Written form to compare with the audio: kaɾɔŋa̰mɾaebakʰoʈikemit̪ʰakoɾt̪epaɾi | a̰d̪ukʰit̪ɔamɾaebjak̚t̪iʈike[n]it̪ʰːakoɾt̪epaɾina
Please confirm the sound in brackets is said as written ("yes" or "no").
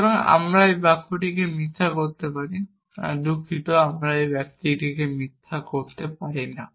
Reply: no